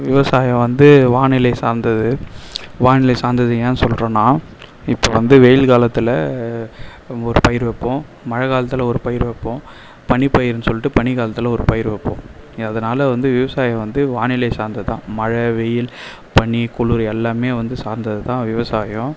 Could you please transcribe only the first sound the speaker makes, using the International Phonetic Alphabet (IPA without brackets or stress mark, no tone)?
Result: ʋ